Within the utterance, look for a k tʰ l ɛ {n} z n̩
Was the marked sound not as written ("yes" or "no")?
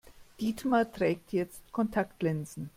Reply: no